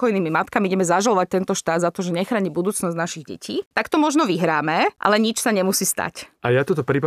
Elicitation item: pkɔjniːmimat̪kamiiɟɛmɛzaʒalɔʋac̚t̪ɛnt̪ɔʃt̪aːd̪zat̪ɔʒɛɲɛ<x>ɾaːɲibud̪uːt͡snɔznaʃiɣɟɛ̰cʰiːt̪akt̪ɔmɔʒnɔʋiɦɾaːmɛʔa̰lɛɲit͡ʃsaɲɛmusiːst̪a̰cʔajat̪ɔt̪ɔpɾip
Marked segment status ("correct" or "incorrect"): correct